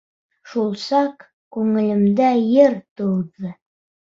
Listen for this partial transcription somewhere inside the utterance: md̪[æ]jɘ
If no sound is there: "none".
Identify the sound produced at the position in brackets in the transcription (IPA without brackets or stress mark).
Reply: æ